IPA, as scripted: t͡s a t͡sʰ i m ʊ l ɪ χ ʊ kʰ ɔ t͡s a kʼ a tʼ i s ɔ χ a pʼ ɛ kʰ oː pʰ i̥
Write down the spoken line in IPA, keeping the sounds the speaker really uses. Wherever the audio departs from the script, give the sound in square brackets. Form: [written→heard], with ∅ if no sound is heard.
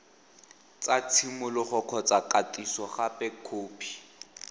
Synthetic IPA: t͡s a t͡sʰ i m ʊ l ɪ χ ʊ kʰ ɔ t͡s a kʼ a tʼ i s ɔ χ a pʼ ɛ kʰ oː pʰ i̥